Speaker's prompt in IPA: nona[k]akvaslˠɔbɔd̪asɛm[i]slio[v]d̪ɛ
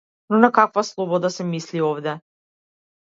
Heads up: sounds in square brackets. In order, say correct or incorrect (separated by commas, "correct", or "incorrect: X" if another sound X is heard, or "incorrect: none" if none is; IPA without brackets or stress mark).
correct, correct, correct